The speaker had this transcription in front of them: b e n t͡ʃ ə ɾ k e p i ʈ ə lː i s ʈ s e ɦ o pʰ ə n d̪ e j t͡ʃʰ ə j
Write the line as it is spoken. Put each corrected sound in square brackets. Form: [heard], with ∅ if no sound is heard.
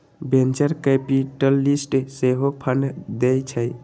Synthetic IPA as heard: b e n t͡ʃ ə ɾ k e p i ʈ ə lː i s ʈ s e ɦ o pʰ ə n d̪ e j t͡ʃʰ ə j